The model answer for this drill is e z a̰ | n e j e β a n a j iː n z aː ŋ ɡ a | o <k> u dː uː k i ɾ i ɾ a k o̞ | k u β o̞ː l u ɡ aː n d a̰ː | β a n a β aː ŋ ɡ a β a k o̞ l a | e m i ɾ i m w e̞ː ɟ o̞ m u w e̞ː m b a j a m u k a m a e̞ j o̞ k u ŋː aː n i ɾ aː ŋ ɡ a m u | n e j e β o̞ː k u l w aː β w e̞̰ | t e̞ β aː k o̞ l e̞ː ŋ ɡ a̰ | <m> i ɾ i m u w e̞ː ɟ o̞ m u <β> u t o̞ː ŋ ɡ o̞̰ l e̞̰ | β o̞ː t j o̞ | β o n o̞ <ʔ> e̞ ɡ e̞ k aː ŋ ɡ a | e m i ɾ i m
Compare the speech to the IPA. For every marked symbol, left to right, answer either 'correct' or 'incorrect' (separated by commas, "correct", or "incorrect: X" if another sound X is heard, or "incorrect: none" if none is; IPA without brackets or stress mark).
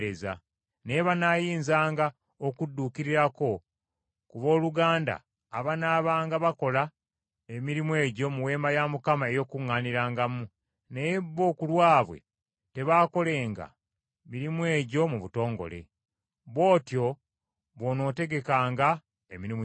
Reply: correct, correct, correct, incorrect: t